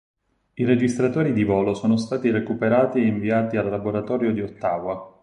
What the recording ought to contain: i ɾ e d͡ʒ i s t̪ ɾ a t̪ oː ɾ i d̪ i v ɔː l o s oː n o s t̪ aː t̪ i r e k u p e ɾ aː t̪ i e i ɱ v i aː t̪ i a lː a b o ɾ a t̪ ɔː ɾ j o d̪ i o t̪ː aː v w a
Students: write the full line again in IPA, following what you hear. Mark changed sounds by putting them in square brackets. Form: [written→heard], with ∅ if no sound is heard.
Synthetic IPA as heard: i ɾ e d͡ʒ i s t̪ ɾ a t̪ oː ɾ i d̪ i v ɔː l o s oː n o s t̪ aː t̪ i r e k u p e ɾ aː t̪ i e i ɱ v i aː t̪ i a lː a b o ɾ a t̪ ɔː ɾ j o d̪ i o t̪ː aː v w a